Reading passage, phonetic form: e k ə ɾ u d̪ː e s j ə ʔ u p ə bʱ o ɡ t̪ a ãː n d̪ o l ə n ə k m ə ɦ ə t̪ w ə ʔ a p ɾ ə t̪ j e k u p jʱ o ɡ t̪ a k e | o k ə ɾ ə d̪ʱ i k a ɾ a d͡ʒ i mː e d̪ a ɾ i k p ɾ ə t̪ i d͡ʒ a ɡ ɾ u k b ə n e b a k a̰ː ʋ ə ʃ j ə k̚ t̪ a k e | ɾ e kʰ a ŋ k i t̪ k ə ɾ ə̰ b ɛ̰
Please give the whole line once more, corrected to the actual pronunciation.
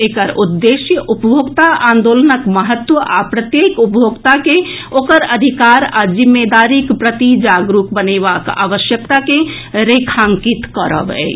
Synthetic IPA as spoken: e k ə ɾ u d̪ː e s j ə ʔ u p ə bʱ o ɡ t̪ a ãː n d̪ o l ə n ə k m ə ɦ ə t̪ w ə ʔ a p ɾ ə t̪ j e k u p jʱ o ɡ t̪ a k e | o k ə ɾ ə d̪ʱ i k a ɾ a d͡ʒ i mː e d̪ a ɾ i k p ɾ ə t̪ i d͡ʒ a ɡ ɾ u k b ə n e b a k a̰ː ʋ ə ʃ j ə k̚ t̪ a k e | ɾ e kʰ a ŋ k i t̪ k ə ɾ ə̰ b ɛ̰